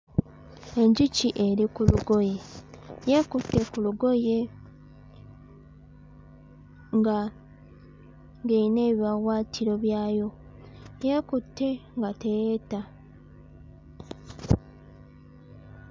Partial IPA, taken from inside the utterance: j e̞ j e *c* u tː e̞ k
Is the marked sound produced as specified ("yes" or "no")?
no